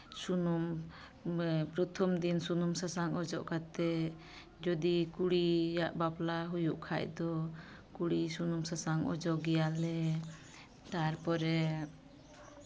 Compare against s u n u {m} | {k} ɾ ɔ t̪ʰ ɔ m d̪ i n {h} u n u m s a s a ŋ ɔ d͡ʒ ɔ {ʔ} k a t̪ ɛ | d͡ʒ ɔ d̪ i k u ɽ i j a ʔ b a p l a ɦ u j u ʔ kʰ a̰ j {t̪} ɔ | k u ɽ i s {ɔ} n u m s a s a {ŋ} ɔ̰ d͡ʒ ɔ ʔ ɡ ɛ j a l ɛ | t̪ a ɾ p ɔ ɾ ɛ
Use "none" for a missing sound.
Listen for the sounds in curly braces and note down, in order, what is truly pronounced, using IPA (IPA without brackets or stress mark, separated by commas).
m, p, s, ʔ, d̪, u, ŋ